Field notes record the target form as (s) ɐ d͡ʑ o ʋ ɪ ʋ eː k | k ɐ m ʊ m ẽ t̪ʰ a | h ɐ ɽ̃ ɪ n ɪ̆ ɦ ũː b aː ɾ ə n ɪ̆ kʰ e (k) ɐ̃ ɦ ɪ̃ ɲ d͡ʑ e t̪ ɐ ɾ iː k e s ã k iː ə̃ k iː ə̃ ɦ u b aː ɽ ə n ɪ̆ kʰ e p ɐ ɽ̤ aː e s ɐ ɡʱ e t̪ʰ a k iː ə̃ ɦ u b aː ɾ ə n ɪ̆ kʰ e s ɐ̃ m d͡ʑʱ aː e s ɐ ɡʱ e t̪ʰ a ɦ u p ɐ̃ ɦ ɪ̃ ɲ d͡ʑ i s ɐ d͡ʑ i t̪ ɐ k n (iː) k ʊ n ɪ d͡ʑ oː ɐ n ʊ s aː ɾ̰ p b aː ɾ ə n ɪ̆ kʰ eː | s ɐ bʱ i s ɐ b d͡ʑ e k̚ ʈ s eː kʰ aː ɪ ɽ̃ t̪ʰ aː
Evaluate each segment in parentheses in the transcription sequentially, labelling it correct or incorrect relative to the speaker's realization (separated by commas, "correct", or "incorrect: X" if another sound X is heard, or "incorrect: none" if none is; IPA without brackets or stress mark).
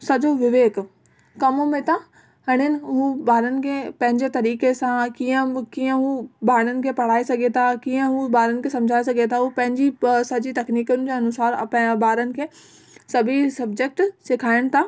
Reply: correct, incorrect: p, correct